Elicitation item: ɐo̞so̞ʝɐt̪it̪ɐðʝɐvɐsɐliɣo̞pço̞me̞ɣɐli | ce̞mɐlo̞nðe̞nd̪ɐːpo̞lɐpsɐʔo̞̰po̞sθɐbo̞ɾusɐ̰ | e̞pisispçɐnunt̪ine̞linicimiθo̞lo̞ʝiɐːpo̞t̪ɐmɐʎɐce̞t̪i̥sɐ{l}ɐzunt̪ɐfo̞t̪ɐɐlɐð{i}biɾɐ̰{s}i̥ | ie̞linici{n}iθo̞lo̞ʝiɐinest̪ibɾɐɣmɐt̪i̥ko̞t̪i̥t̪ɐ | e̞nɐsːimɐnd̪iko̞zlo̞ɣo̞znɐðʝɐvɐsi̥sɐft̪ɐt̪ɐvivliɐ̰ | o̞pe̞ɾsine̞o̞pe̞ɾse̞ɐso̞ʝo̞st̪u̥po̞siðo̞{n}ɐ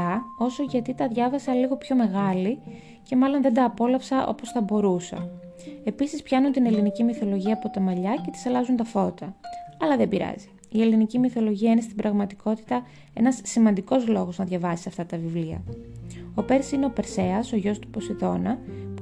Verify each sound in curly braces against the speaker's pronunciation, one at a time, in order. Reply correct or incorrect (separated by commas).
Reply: correct, incorrect, incorrect, incorrect, correct